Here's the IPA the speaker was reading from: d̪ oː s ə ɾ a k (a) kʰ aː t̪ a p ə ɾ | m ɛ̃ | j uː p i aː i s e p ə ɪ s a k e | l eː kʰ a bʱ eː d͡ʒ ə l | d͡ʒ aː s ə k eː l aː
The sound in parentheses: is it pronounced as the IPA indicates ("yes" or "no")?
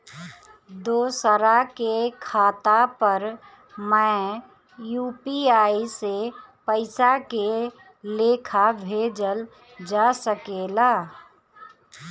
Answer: no